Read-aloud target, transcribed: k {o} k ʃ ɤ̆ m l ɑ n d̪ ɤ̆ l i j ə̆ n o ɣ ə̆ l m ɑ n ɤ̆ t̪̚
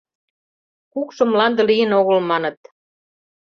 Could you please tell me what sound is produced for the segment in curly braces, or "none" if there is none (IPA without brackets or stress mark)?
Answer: u